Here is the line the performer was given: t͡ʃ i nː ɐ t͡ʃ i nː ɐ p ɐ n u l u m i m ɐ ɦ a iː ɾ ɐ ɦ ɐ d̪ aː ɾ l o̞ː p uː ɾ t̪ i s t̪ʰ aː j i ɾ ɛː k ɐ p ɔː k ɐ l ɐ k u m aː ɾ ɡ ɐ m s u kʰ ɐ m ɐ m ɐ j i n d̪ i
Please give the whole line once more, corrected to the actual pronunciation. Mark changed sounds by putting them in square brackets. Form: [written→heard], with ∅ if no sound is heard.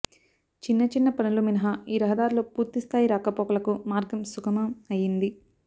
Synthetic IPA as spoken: t͡ʃ i nː ɐ t͡ʃ i nː ɐ p ɐ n u l u m i [m→n] ɐ ɦ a iː ɾ ɐ ɦ ɐ d̪ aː ɾ l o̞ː p uː ɾ t̪ i s t̪ʰ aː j i ɾ [ɛː→aː] k ɐ p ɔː k ɐ l ɐ k u m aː ɾ ɡ ɐ m s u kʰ ɐ m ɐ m ɐ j i n d̪ i